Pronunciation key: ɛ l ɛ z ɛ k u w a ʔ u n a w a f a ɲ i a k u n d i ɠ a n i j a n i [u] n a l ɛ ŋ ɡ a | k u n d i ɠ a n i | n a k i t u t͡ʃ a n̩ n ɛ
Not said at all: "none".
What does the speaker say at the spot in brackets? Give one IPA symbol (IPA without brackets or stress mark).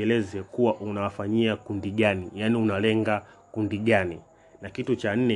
u